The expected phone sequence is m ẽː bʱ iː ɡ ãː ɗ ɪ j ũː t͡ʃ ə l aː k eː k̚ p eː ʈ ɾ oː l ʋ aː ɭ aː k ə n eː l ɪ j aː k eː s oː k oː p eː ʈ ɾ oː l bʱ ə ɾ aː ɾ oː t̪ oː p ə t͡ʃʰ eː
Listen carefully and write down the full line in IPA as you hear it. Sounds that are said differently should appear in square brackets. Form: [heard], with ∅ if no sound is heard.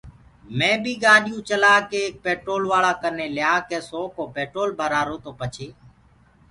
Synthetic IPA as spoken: m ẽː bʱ iː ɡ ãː ɗ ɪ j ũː t͡ʃ ə l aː k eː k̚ p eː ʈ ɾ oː l ʋ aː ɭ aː k ə n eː l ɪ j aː k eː s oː k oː p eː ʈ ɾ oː l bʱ ə ɾ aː ɾ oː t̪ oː p ə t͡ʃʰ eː